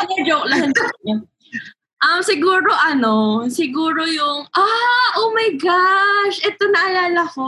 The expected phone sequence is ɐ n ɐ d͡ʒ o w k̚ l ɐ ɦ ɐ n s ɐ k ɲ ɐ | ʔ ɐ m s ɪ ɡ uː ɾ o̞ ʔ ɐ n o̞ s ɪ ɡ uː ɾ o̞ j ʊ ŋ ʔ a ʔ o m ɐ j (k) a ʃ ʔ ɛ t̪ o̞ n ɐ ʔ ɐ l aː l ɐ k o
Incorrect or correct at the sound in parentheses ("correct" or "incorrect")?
incorrect